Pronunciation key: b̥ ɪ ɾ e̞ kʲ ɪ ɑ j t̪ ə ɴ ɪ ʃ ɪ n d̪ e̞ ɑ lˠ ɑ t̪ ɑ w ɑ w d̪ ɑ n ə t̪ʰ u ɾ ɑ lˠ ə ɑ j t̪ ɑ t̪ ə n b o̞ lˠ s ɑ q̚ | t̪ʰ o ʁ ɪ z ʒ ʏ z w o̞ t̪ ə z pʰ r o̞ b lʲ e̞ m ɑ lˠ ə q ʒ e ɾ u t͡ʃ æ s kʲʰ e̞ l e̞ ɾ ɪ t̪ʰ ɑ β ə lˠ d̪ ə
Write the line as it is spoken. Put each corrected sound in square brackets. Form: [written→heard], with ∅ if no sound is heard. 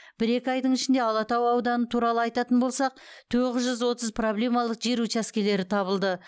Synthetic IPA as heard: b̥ ɪ ɾ e̞ kʲ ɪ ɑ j [t̪→d̪] ə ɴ ɪ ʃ ɪ n d̪ e̞ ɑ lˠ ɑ t̪ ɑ w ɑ w d̪ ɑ n ə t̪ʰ u ɾ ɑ lˠ ə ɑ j t̪ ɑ t̪ ə n b o̞ lˠ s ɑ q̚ | t̪ʰ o ʁ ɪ z ʒ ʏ z w o̞ t̪ ə z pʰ r o̞ b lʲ e̞ m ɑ lˠ ə q ʒ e ɾ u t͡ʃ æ s [kʲʰ→kʲ] e̞ l e̞ ɾ ɪ t̪ʰ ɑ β ə lˠ d̪ ə